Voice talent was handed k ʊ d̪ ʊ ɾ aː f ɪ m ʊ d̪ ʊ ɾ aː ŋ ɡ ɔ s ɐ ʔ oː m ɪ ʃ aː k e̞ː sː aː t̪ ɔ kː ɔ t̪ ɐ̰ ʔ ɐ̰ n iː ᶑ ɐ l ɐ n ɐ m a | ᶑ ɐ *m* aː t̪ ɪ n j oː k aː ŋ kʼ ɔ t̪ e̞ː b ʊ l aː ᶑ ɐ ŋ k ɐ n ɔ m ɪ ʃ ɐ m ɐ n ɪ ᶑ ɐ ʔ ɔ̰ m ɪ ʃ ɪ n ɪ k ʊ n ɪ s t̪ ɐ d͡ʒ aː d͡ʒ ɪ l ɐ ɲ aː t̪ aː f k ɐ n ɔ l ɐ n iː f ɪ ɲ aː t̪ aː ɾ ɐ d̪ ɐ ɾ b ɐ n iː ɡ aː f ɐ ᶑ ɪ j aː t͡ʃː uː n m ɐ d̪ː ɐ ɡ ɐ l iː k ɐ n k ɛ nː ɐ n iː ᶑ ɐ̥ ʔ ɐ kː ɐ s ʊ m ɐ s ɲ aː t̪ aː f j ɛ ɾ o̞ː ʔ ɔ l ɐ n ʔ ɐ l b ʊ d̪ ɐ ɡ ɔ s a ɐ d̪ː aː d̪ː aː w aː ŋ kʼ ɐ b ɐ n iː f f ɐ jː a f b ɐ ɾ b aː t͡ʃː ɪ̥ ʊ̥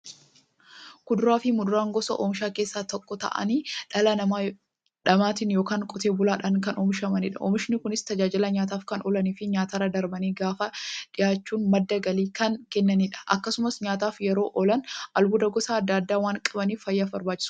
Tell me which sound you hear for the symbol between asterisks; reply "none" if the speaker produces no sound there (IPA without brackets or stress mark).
m